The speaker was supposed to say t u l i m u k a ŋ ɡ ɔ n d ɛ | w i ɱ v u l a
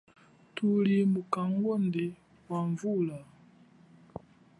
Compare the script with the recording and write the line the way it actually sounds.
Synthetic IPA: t u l i m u k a ŋ ɡ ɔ n d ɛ | w a ɱ v u l a